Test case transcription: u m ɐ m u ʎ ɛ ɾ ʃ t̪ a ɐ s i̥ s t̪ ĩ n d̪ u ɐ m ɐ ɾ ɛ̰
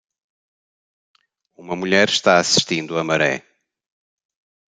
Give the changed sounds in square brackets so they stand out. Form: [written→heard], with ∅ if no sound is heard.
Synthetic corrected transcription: u m ɐ m u ʎ ɛ ɾ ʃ t̪ a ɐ s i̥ [s→ʃ] t̪ ĩ n d̪ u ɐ m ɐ ɾ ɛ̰